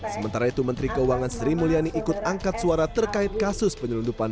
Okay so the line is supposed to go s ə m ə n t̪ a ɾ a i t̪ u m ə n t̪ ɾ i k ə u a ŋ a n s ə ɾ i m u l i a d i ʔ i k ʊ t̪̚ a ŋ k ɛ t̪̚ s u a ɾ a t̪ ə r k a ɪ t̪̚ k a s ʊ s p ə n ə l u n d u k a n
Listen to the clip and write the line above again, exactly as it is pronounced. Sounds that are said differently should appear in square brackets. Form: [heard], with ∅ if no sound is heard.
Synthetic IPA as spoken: s ə m ə n t̪ a ɾ a i t̪ u m ə n t̪ ɾ i k ə u a ŋ a n s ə ɾ i m u l i a [n] i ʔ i k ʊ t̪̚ a ŋ k [a] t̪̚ s u a ɾ a t̪ ə r k a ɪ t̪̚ k a s ʊ s p ə [ɲ] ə l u n d u [p] a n